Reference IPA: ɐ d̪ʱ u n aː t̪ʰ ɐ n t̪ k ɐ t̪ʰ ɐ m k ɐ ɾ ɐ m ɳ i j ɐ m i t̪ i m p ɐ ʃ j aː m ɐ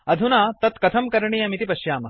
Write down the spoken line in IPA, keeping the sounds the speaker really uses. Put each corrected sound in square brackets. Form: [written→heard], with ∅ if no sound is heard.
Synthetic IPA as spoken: ɐ d̪ʱ u n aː [t̪ʰ→t̪] ɐ [n→∅] t̪ k ɐ t̪ʰ ɐ m k ɐ ɾ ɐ [m→∅] ɳ i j ɐ m i t̪ i [m→∅] p ɐ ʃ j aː m ɐ

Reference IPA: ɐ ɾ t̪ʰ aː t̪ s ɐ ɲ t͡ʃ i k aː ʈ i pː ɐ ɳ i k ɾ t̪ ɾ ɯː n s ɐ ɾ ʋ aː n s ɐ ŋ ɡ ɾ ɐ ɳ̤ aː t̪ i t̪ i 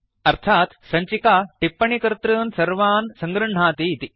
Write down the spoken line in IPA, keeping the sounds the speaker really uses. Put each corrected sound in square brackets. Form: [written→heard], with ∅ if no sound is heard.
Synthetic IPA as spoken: ɐ ɾ t̪ʰ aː t̪ s ɐ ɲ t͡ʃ i k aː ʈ i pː ɐ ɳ i k ɾ t̪ ɾ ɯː n s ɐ ɾ ʋ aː n s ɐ ŋ ɡ ɾ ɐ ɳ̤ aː t̪ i t̪ i

